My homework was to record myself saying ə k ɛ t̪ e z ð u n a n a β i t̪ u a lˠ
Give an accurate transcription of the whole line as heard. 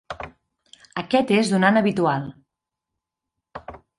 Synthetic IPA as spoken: ə k ɛ t̪ e z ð u n a n ə β i t̪ u a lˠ